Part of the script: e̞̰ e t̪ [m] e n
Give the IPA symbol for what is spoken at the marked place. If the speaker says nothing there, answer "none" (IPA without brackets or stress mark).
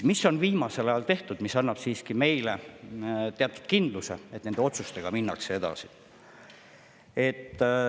n